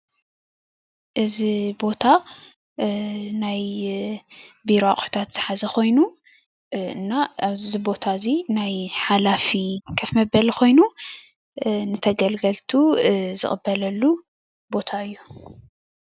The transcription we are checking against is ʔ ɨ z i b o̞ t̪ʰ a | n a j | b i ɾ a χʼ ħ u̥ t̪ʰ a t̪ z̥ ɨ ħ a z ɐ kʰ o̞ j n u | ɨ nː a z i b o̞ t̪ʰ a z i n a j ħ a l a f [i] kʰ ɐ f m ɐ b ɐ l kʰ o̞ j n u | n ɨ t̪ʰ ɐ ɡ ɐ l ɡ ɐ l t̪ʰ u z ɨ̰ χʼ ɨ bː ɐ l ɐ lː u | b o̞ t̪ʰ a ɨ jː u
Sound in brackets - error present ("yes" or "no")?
no